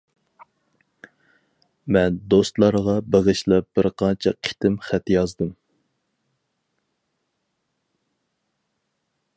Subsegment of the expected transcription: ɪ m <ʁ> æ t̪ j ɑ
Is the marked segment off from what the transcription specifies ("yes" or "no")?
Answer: yes